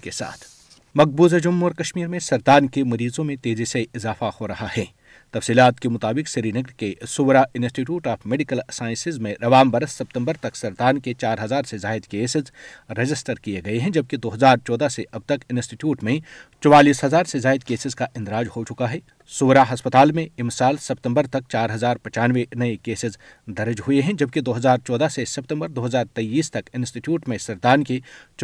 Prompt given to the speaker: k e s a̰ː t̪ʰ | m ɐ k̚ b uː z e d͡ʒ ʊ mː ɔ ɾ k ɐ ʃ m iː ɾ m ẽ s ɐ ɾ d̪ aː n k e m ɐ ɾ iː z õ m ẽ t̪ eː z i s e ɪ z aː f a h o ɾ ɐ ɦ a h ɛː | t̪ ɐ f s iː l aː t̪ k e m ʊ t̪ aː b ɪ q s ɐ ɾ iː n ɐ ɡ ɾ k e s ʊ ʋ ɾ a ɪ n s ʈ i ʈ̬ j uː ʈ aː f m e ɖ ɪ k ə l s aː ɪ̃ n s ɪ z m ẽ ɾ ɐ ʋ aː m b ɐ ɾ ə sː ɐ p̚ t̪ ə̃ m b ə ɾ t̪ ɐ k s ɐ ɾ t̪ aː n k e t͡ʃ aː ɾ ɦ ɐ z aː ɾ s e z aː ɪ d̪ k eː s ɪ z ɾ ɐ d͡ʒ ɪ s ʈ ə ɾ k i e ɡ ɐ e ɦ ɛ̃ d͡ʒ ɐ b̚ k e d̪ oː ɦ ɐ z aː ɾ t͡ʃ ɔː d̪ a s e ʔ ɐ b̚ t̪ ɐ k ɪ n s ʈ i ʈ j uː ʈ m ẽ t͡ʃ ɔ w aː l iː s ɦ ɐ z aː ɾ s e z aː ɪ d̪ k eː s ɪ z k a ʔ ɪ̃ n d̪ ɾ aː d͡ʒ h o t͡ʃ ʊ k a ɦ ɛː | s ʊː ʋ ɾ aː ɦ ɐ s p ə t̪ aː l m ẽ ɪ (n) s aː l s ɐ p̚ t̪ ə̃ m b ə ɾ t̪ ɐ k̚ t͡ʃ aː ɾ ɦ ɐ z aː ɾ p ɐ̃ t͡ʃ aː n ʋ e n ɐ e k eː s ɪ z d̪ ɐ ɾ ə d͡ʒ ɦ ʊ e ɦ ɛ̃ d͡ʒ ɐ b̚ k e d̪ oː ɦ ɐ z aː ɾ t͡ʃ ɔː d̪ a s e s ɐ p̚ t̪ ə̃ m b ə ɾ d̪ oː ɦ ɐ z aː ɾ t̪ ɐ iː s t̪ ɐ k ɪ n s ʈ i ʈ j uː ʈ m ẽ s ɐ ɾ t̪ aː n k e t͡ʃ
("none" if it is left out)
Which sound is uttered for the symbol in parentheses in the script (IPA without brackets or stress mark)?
m